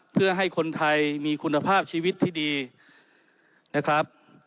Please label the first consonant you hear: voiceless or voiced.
voiceless